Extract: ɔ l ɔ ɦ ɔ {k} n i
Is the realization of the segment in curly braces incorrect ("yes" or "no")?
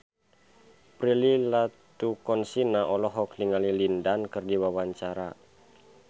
no